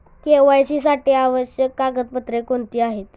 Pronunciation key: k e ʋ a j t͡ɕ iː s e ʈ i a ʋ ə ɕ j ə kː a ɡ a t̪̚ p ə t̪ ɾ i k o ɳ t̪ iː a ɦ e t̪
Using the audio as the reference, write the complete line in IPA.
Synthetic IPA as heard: k e ʋ a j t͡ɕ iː s a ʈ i a ʋ ə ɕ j ə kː a ɡ ə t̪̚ p ə t̪ ɾ e k o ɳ t̪ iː a ɦ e t̪